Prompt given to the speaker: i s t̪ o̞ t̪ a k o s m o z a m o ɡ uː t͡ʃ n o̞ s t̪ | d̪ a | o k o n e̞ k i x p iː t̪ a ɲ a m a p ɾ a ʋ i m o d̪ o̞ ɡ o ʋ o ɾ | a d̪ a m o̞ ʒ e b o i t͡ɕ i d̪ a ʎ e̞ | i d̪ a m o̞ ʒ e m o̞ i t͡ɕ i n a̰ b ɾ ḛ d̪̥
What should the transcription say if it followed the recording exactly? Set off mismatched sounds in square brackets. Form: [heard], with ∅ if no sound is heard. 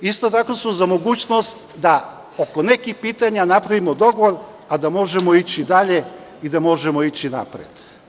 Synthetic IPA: i s t̪ o̞ t̪ a k o s m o z a m o ɡ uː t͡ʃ n o̞ s t̪ | d̪ a | o k o n e̞ k i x p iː t̪ a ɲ a [n] a p ɾ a ʋ i m o d̪ o̞ ɡ o ʋ o ɾ | a d̪ a m o̞ ʒ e [m] o i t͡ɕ i d̪ a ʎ e̞ | i d̪ a m o̞ ʒ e m o̞ i t͡ɕ i n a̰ [p] ɾ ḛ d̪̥